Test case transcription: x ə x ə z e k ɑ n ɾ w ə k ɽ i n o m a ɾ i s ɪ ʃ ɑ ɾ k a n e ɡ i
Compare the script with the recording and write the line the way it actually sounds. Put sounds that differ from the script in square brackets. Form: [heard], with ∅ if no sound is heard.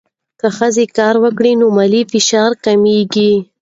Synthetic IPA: [k] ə x ə z e k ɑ [∅] ɾ w ə k ɽ i n o m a [l] i [f] ɪ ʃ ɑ ɾ k a [m] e ɡ i